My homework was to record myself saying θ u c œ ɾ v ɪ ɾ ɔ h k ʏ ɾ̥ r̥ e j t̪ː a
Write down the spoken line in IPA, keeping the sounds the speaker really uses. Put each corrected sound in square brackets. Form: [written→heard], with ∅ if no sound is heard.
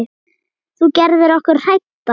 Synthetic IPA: θ u c [œ→ɛ] ɾ [v→ð] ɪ ɾ ɔ h k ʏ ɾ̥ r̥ [e→a] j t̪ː a